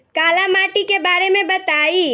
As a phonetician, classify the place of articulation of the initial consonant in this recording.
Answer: velar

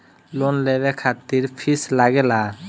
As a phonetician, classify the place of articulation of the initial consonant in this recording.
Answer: alveolar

